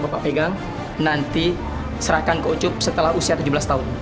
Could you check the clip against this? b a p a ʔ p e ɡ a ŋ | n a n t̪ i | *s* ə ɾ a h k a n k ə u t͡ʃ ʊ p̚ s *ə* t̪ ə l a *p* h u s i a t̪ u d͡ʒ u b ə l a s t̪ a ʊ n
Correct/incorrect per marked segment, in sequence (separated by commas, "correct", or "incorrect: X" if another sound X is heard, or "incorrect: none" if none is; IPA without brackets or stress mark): correct, correct, incorrect: none